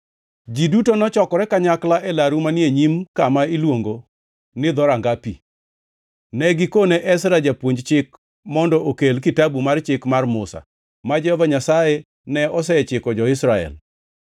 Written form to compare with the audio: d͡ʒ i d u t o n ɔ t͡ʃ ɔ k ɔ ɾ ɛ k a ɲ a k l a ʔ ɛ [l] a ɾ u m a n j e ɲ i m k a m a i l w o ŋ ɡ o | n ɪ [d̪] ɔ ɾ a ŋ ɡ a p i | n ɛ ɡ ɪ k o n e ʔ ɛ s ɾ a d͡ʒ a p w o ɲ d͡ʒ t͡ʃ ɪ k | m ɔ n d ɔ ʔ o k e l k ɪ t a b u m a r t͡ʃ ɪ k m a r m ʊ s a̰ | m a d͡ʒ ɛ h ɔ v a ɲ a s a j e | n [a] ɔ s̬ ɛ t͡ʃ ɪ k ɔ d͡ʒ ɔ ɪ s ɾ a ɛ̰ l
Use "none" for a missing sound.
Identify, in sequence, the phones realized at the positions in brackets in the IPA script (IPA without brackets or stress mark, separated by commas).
l, d̪, ɛ